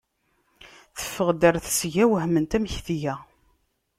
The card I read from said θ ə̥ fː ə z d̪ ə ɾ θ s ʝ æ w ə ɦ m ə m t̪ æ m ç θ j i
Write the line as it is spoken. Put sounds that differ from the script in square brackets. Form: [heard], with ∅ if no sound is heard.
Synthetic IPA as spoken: θ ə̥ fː ə [ʁ] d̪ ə ɾ θ s ʝ æ w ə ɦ m ə [n] t̪ æ m ç θ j [æ]